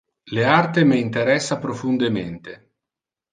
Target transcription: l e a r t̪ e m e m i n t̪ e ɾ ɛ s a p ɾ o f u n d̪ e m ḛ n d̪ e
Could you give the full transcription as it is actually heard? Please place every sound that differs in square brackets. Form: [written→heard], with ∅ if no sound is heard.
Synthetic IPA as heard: l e a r t̪ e m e [m→∅] i n t̪ e ɾ ɛ [s→sː] a p ɾ o f u n d̪ e m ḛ n [d̪→t̪] e